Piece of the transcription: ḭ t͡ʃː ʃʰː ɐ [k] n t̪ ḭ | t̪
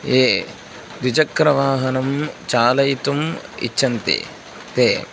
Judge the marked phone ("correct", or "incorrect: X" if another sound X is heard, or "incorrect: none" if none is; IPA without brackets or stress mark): incorrect: none